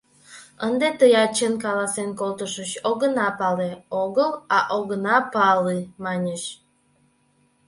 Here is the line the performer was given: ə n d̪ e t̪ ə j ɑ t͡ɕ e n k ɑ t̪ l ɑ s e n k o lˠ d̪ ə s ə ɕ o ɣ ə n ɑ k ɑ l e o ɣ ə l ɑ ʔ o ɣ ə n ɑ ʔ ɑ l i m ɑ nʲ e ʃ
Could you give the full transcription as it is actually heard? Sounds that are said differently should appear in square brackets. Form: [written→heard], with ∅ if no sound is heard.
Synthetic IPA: ə n d̪ e t̪ ə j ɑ t͡ɕ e n k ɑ [t̪→∅] l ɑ s e n k o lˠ [d̪→t̪] ə [s→ʃ] ə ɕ o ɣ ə n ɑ [k→p] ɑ l e o ɣ ə l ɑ ʔ o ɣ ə n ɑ [ʔ→p] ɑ l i m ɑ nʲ e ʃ